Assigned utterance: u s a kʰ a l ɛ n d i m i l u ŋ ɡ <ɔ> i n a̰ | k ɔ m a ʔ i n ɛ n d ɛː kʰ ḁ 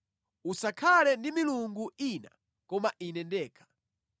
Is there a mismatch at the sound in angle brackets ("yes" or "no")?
yes